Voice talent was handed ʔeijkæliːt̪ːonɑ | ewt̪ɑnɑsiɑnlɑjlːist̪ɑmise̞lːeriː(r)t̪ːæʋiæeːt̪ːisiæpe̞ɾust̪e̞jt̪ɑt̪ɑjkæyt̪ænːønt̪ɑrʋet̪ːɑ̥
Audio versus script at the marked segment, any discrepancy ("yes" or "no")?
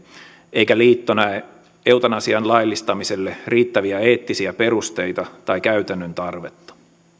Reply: yes